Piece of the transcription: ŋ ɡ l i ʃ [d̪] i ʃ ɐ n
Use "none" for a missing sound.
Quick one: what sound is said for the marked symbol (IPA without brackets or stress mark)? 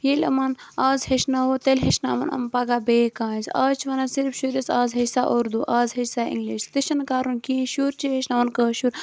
t̪